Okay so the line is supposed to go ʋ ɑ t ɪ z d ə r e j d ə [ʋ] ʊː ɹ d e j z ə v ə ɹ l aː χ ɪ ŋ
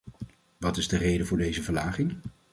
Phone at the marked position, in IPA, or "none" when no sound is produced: v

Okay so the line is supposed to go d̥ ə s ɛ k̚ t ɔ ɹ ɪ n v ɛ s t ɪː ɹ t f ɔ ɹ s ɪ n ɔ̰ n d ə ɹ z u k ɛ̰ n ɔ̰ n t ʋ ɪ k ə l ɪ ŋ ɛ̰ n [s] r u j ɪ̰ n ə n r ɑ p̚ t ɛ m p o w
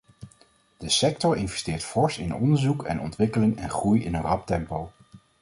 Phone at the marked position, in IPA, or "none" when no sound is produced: χ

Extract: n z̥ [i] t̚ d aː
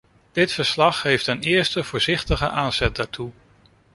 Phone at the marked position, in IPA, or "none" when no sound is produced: ɛ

